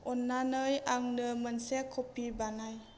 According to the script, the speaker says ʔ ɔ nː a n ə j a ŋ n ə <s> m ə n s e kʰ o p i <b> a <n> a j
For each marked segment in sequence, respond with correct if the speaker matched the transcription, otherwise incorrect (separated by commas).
incorrect, correct, correct